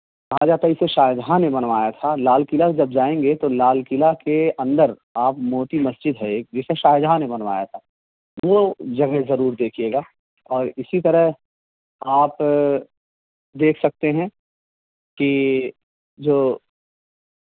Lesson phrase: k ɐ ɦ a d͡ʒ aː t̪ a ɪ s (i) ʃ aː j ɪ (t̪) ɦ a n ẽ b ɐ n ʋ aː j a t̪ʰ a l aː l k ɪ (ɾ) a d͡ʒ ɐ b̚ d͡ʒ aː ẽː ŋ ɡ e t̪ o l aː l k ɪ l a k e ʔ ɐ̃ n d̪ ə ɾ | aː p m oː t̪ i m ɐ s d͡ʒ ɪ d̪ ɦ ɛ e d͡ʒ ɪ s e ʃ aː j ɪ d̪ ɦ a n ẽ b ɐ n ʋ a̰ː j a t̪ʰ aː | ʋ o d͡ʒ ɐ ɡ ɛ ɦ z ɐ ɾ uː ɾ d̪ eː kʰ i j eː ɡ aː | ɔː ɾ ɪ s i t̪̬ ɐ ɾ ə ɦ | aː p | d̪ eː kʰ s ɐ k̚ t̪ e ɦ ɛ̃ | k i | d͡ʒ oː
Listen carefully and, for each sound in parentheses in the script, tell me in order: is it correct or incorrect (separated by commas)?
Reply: incorrect, incorrect, incorrect